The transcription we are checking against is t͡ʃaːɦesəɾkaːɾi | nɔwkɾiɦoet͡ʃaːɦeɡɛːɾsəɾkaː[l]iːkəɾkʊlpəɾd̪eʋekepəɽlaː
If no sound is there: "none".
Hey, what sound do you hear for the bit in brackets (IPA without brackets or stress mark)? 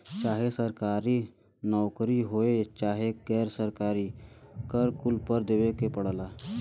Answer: ɾ